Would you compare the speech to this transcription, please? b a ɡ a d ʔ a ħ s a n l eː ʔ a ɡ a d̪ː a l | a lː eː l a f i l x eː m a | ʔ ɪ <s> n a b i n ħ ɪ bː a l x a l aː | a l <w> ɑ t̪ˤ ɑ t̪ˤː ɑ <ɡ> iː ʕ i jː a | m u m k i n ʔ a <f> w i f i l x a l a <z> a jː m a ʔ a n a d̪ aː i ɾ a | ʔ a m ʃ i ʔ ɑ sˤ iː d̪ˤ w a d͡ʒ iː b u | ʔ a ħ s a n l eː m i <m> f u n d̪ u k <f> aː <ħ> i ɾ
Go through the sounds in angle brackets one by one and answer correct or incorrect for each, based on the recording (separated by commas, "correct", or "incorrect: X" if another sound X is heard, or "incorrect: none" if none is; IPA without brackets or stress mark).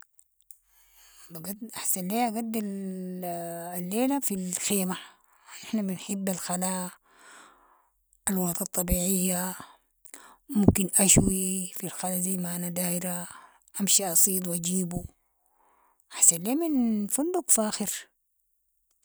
incorrect: ħ, correct, incorrect: b, incorrect: ʃ, correct, incorrect: n, correct, incorrect: x